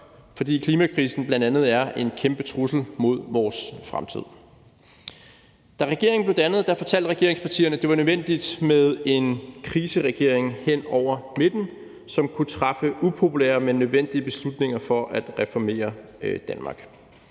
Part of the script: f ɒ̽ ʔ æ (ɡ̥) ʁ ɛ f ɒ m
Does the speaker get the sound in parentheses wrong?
yes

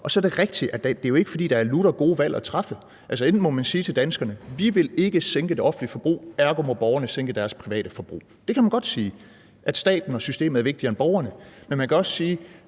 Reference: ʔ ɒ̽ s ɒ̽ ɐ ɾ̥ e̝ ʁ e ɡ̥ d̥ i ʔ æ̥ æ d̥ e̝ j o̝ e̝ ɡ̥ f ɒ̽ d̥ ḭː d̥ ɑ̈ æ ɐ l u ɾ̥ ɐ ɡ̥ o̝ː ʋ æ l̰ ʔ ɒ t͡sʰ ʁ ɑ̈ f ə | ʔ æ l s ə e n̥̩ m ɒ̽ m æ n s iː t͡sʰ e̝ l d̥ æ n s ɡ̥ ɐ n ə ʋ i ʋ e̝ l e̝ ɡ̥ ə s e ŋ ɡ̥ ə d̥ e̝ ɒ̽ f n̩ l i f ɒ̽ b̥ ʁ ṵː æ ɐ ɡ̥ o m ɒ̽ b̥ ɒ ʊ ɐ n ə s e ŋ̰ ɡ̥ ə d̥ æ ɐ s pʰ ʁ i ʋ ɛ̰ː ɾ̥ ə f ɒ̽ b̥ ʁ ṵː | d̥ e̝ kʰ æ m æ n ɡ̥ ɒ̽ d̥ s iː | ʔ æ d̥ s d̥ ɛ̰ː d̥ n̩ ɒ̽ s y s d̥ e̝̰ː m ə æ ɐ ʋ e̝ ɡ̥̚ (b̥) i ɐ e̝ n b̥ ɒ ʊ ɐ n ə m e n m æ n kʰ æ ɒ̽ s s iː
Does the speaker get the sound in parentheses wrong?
yes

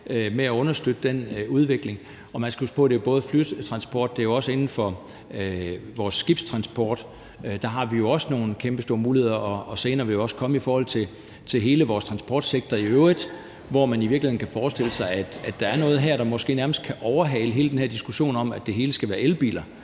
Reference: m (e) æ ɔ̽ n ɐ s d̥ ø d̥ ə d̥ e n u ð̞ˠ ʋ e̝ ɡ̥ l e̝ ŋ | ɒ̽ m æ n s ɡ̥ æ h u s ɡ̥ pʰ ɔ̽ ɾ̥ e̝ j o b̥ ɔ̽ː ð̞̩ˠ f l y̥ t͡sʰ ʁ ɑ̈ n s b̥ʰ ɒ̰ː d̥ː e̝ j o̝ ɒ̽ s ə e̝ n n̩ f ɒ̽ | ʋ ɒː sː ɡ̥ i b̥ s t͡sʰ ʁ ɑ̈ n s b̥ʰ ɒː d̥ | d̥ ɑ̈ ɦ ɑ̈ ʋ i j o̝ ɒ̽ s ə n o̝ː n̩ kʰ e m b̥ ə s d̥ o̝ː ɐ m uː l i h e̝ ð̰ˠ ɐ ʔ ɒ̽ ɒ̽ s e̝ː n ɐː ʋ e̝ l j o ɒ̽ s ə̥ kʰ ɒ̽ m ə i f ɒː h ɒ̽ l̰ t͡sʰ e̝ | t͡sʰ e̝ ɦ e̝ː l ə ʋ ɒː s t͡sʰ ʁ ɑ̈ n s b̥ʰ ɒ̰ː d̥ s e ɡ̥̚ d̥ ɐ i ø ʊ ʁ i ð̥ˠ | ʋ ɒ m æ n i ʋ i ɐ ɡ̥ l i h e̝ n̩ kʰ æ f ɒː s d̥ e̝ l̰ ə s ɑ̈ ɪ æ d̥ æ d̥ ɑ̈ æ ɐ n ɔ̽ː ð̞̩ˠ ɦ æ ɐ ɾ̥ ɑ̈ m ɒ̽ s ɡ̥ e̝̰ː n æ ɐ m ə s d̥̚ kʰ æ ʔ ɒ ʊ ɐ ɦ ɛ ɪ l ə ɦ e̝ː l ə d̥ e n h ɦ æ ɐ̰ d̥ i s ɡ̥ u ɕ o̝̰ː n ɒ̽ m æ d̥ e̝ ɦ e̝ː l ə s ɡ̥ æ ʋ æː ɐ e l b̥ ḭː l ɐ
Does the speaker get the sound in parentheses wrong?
no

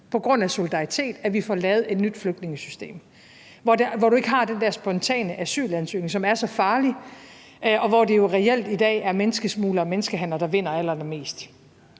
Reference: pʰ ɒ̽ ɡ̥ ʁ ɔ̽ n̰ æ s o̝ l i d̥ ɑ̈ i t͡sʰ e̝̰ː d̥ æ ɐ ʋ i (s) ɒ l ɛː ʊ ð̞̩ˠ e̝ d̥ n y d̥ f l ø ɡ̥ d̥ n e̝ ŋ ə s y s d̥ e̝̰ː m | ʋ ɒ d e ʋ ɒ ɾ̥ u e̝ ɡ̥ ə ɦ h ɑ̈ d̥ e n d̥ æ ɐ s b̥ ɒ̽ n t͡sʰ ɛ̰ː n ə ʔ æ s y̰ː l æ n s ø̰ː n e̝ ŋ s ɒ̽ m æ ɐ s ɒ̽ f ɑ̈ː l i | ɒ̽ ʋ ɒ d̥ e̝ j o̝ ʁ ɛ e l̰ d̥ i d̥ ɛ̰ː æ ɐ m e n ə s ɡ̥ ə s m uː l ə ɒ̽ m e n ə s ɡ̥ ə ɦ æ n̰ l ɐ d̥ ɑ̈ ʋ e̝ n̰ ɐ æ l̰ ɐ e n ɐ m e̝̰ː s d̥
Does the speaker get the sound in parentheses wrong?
yes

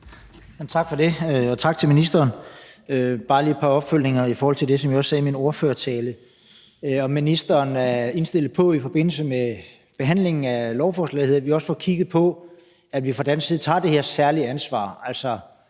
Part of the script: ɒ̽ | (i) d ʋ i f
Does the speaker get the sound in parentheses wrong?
yes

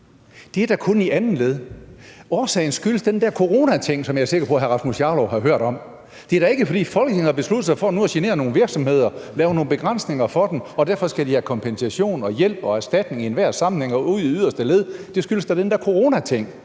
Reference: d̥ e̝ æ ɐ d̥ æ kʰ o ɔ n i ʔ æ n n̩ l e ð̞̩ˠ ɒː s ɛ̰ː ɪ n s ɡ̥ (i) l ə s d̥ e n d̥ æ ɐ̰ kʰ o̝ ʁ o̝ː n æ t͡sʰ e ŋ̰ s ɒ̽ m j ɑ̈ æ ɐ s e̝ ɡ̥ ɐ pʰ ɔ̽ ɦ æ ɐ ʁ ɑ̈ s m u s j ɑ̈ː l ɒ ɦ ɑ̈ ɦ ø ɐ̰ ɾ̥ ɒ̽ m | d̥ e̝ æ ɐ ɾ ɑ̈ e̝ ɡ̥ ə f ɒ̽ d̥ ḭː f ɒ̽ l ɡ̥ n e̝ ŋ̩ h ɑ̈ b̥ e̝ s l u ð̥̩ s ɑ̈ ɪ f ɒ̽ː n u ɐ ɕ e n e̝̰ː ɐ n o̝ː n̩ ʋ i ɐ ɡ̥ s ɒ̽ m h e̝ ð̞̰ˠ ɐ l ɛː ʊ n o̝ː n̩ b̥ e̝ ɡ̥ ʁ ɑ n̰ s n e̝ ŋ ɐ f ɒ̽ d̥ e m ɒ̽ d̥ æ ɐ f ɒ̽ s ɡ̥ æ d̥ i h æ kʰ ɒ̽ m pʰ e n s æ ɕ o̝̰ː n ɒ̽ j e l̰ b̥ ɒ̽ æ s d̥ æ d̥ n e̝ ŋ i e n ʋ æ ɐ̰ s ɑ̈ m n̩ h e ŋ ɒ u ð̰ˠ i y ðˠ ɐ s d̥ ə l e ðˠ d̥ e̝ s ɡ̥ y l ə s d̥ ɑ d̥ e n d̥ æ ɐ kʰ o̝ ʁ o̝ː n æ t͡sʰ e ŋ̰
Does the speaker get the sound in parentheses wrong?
yes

